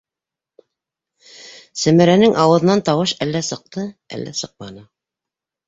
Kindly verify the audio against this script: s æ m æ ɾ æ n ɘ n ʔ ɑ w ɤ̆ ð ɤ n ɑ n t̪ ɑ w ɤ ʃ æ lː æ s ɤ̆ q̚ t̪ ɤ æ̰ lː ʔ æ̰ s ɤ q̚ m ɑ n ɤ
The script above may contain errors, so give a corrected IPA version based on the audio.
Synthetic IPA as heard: s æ m æ ɾ æ n ɘ ŋ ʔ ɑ w ɤ̆ ð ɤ n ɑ n t̪ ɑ w ɤ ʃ æ lː æ s ɤ̆ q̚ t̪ ɤ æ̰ lː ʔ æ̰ s ɤ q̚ m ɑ n ɤ